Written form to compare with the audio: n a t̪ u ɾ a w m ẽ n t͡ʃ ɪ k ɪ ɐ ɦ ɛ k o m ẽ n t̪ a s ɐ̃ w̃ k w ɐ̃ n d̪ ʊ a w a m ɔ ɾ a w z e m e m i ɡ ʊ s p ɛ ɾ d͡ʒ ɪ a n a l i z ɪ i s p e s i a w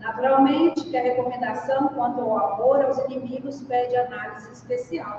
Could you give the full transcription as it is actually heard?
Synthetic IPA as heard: n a t̪ u ɾ a w m ẽ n t͡ʃ ɪ k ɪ ɐ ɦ e k o m ẽ n d̪ a s ɐ̃ w̃ k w ɐ̃ n t̪ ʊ a w a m o ɾ a w z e n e m i ɡ ʊ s p ɛ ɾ d͡ʒ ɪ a n a l i z ɪ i s p e s i a w